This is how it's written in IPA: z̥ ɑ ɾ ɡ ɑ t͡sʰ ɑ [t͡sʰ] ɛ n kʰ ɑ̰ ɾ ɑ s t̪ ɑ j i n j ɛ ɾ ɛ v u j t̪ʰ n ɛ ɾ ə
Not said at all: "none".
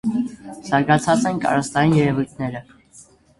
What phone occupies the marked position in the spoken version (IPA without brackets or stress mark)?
t͡s